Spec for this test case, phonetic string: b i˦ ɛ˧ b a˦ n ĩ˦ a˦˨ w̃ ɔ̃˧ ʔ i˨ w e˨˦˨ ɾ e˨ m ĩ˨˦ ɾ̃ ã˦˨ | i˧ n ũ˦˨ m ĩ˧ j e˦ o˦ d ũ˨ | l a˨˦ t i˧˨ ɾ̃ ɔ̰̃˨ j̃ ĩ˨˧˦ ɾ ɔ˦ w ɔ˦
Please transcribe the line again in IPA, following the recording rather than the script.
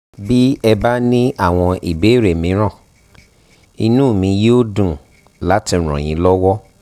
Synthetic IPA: b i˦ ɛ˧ b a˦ n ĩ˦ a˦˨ w̃ ɔ̃˧ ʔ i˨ b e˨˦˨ ɾ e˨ m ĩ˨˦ ɾ̃ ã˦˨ | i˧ n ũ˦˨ m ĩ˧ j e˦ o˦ d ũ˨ | l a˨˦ t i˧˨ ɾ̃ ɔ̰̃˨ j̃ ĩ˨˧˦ l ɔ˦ w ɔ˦